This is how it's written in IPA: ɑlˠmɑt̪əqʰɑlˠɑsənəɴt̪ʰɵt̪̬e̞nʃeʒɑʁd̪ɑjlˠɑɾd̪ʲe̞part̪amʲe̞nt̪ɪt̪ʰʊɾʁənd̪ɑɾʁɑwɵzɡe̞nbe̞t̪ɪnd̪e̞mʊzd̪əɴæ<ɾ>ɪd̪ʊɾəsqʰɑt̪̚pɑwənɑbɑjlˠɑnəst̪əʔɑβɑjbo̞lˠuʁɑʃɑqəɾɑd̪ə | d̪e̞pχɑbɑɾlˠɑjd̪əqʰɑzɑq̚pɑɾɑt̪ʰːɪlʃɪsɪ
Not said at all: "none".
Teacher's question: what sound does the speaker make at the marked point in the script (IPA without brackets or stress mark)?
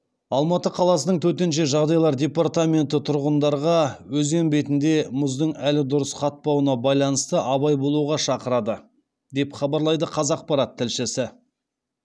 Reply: l